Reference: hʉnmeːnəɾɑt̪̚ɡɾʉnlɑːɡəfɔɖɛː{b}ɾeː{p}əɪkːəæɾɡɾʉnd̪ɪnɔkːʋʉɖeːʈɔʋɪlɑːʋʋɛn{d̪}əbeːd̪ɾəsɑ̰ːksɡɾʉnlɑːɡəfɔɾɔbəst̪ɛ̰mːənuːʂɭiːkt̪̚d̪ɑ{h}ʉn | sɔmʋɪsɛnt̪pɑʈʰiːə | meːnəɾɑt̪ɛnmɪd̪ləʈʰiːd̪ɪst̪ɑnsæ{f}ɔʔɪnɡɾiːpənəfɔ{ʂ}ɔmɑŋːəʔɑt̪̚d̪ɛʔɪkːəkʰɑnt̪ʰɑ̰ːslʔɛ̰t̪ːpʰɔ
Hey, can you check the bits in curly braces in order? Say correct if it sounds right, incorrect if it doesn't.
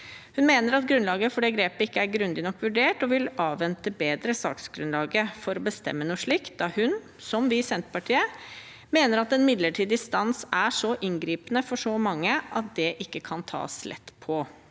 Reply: incorrect, correct, incorrect, correct, incorrect, correct

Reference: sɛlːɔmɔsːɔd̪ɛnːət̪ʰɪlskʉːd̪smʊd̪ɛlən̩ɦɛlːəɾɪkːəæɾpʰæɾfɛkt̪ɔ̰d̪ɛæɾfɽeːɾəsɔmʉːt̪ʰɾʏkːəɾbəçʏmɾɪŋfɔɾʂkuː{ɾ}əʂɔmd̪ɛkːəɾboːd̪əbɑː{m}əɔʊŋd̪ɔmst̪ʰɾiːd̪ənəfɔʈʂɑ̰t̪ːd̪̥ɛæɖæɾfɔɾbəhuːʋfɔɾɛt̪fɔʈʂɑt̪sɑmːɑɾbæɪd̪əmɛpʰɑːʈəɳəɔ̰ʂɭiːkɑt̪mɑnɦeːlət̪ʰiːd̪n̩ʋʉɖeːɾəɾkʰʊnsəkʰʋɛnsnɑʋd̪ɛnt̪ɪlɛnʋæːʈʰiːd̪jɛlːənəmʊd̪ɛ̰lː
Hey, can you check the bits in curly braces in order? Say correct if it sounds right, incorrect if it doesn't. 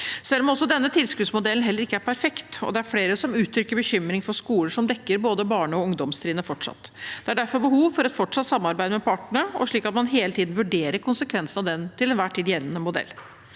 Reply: incorrect, incorrect

